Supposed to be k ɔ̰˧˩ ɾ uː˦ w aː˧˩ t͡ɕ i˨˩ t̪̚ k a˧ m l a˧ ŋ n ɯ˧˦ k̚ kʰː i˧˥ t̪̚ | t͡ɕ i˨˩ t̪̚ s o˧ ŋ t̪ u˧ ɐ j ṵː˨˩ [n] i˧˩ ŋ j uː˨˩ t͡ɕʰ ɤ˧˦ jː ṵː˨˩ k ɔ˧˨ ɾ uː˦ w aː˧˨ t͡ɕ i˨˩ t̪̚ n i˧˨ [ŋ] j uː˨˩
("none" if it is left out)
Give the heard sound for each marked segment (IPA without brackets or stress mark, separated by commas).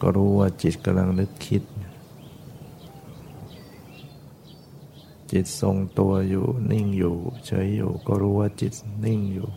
n, ŋ